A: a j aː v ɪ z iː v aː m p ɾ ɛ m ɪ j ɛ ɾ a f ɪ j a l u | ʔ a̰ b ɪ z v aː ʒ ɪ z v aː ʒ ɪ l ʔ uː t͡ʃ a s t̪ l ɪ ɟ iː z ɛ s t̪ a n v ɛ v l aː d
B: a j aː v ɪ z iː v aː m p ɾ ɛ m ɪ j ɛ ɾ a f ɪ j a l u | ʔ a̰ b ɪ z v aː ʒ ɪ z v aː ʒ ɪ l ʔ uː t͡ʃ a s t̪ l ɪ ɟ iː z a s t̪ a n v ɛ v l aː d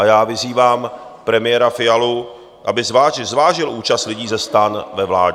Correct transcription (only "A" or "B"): A